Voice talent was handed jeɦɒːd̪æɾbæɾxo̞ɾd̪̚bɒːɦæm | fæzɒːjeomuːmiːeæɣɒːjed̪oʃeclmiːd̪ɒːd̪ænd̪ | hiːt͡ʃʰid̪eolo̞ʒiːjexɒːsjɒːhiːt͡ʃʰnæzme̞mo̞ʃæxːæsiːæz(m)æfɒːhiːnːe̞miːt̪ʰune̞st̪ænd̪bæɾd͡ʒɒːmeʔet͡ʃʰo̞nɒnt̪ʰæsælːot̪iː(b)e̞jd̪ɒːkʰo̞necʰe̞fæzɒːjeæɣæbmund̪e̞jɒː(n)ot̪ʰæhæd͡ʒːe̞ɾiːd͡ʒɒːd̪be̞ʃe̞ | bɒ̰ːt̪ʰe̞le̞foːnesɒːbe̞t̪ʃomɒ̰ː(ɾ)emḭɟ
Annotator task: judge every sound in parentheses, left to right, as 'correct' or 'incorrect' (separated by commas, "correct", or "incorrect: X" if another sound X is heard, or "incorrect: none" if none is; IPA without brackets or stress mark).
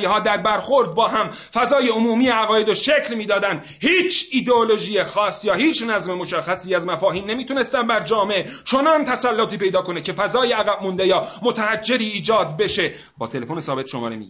correct, incorrect: p, incorrect: m, correct